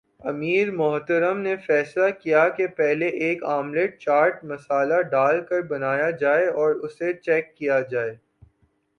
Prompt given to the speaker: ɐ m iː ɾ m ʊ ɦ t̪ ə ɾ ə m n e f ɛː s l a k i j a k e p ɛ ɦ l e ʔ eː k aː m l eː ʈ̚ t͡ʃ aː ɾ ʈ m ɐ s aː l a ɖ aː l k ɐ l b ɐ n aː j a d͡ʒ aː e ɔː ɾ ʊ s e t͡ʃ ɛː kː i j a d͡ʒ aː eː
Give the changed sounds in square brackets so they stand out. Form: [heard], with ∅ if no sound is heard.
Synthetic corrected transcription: ɐ m iː ɾ m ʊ ɦ t̪ ə ɾ ə m n e f ɛː s l a k i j a k e p ɛ ɦ l e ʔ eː k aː m l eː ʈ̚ t͡ʃ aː ɾ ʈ m ɐ s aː l a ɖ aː l k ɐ [ɾ] b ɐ n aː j a d͡ʒ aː e ɔː ɾ ʊ s e t͡ʃ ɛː kː i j a d͡ʒ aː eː